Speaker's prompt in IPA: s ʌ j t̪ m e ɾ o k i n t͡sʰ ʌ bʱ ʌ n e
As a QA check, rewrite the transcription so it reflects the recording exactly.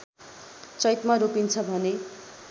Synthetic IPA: t͡s ʌ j t̪ m a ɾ o p i n t͡sʰ ʌ bʱ ʌ n e